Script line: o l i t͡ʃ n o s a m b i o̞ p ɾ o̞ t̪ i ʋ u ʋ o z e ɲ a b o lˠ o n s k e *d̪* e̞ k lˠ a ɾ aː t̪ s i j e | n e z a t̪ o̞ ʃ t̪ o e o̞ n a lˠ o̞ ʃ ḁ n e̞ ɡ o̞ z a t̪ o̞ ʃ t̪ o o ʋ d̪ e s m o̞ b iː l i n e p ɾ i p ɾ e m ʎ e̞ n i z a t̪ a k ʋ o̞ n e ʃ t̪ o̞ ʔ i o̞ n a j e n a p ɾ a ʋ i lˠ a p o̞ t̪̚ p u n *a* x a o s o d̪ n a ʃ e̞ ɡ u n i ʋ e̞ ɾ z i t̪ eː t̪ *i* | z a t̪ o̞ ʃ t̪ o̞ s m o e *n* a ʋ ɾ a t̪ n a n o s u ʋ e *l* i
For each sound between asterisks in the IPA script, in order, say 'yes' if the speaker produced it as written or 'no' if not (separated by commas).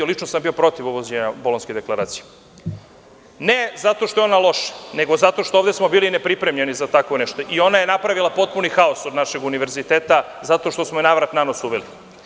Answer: yes, no, no, yes, yes